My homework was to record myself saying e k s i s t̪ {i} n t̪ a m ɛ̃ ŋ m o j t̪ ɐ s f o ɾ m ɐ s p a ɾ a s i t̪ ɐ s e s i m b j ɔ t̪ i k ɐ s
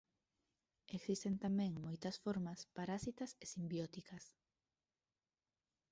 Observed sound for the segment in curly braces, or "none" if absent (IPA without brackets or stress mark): e